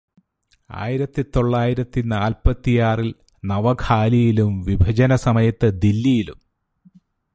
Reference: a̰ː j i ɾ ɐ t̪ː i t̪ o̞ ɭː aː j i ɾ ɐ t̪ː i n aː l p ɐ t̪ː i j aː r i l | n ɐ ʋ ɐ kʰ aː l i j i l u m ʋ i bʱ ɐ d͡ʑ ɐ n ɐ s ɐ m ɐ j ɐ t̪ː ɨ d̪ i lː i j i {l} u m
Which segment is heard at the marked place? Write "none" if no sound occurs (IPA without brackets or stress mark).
l